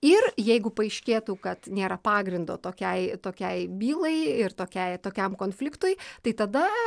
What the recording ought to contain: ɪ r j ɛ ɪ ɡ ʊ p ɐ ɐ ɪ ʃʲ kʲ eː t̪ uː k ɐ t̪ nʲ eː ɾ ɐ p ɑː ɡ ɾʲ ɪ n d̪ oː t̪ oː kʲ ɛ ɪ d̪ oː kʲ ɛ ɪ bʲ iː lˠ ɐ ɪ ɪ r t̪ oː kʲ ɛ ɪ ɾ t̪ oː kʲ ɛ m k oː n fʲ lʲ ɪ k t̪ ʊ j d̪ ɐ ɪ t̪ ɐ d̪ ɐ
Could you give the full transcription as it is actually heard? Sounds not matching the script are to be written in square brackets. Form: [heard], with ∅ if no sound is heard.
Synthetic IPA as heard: ɪ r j ɛ ɪ ɡ ʊ p ɐ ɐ ɪ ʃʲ kʲ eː t̪ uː k ɐ t̪ nʲ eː ɾ ɐ p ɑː ɡ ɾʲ ɪ n d̪ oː t̪ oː kʲ ɛ ɪ [t̪] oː kʲ ɛ ɪ bʲ iː lˠ ɐ ɪ ɪ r t̪ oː kʲ ɛ ɪ [∅] t̪ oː kʲ ɛ m k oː n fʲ lʲ ɪ k t̪ ʊ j [t̪] ɐ ɪ t̪ ɐ d̪ ɐ